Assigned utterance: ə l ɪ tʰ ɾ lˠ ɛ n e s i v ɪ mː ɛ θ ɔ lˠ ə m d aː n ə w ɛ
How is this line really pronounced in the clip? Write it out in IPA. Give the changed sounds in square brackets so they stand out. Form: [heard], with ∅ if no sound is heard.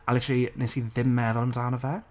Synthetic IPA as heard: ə l ɪ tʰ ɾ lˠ [i] n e s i [ð] ɪ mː ɛ [ð] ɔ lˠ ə m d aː n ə [v] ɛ

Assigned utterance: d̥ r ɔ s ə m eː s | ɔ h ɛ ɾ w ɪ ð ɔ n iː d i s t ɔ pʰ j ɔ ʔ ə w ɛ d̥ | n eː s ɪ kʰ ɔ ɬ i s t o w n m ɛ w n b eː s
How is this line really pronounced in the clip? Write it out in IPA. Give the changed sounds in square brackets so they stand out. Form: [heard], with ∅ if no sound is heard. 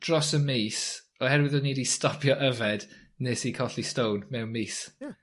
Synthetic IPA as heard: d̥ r ɔ s ə m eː s | ɔ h ɛ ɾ w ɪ ð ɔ n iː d i s t ɔ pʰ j ɔ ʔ ə [v] ɛ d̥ | n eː s [i] kʰ ɔ ɬ i s t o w n m ɛ w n [m] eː s

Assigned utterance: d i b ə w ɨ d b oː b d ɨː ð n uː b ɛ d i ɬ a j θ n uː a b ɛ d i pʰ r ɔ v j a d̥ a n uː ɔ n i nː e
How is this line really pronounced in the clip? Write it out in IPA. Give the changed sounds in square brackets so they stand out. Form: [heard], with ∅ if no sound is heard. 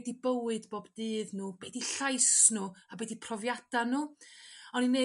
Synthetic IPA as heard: d i b ə w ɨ d b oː b d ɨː ð n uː b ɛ d i ɬ a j [s] n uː a b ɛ d i pʰ r ɔ v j a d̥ a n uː ɔ n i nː e

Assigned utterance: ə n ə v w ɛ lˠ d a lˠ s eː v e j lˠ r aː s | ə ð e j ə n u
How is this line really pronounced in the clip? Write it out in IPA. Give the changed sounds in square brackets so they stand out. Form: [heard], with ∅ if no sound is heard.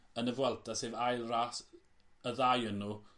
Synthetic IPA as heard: ə n ə v w ɛ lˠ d a [∅] s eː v [a] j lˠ r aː s | ə ð [a] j ə n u

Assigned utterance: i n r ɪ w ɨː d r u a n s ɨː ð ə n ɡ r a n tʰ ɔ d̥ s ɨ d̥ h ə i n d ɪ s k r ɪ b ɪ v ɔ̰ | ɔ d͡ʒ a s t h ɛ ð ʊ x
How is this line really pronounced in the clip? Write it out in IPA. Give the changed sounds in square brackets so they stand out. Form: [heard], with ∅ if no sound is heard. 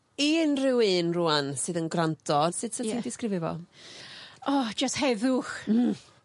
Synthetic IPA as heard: i n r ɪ w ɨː [n] r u a n s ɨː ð ə n ɡ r a n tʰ ɔ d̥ s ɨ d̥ [s] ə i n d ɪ s k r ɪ [v] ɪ v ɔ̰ | ɔ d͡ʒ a s t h ɛ ð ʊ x

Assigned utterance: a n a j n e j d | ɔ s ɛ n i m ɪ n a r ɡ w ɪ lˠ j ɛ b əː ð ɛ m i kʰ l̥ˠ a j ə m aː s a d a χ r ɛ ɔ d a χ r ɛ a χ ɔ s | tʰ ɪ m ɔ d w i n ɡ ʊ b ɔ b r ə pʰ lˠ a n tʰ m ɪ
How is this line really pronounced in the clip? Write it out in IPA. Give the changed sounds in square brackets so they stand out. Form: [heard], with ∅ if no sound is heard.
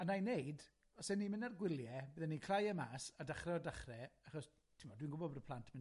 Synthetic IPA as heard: a n a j n e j d | ɔ s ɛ n i m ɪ n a r ɡ w ɪ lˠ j ɛ b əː ð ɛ [n] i kʰ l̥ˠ a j ə m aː s a d a χ r ɛ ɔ d a χ r ɛ a χ ɔ s | tʰ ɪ m ɔ d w i n ɡ ʊ b ɔ b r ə pʰ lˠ a n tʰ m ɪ

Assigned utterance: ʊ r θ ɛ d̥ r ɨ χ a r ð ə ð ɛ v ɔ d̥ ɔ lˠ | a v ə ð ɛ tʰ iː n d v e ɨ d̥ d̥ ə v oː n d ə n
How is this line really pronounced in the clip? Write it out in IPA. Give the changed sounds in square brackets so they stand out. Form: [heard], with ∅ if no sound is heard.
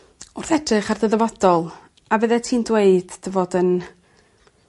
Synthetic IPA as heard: ʊ r θ ɛ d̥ r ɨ χ a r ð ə ð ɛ v ɔ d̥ ɔ lˠ | a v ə ð ɛ tʰ iː n d [w] e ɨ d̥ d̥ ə v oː [∅] d ə n

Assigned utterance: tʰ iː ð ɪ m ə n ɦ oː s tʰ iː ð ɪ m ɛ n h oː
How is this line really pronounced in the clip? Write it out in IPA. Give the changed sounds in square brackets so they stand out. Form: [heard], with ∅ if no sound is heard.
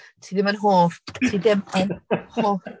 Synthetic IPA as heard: tʰ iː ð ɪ m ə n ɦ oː [f] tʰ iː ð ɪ m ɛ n h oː

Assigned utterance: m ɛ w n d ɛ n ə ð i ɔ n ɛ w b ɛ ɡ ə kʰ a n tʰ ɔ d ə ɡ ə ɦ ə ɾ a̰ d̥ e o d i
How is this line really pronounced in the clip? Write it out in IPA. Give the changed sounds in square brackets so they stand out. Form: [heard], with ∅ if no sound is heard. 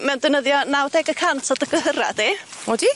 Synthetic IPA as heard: m ɛ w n d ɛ n ə ð [j] ɔ n [a] w [d] ɛ ɡ ə kʰ a n tʰ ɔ d ə ɡ ə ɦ ə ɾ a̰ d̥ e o d i

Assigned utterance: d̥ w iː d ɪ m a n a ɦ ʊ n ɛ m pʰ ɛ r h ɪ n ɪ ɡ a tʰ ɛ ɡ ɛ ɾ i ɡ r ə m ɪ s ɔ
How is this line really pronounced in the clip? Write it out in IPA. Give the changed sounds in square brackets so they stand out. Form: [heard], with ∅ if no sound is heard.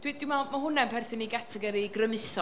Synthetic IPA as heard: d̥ w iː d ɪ m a [m] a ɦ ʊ n ɛ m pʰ ɛ r [θ] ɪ n [i] ɡ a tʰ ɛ ɡ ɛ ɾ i ɡ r ə m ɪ s ɔ

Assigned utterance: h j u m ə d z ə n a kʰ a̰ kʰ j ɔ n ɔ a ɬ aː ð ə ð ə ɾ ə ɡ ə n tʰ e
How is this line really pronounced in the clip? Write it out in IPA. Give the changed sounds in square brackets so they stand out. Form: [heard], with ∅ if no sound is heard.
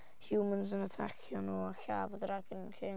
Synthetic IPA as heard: h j u m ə [n] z ə n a [tʰ] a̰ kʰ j ɔ n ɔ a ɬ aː [v] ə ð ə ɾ [a] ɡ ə n [kʰ] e

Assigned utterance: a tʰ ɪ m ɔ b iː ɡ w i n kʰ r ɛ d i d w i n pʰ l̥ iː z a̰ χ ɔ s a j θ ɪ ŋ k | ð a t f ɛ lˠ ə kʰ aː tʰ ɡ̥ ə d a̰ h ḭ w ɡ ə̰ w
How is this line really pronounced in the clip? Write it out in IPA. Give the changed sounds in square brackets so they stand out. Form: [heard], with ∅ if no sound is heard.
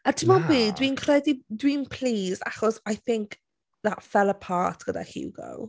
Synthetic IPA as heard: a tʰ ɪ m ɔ b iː [d] w i n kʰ r ɛ d i d w i n pʰ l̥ iː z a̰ χ ɔ s a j θ ɪ ŋ k | ð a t f ɛ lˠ ə [pʰ] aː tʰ ɡ̥ ə d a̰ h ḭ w ɡ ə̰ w

